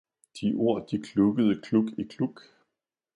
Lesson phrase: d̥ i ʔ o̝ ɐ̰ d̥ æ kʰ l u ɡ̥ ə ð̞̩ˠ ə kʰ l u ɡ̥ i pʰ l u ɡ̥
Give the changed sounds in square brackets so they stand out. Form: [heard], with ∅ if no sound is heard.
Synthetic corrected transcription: d̥ i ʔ o̝ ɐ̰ d̥ [i] kʰ l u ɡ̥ ə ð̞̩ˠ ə kʰ l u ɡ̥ i [kʰ] l u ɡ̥